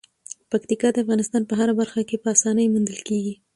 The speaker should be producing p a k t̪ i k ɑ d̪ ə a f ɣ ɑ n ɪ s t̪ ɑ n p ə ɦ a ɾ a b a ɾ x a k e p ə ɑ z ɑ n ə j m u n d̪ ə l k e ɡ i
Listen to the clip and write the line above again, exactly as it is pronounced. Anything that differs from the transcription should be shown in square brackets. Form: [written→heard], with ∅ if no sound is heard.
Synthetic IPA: p a k t̪ i k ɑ d̪ ə a f ɣ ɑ n ɪ s t̪ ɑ n p ə ɦ a ɾ a b a ɾ x a k e p ə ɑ [z→s] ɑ n ə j m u n d̪ ə l k e ɡ i